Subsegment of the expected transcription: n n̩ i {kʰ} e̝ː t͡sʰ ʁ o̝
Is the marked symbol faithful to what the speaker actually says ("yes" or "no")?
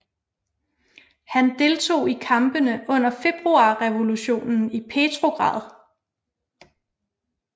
no